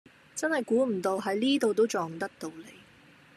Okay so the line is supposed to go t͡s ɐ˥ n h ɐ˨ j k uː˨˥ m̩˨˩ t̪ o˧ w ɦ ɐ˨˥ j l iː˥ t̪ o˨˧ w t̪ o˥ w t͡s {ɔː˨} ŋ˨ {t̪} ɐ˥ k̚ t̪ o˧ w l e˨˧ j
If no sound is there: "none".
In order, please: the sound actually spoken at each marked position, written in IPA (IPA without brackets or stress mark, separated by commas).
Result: ɔː˨, t̪